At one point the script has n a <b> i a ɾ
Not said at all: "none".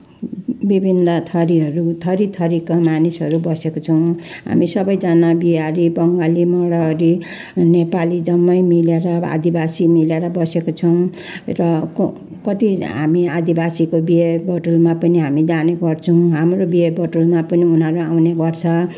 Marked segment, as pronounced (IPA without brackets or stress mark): b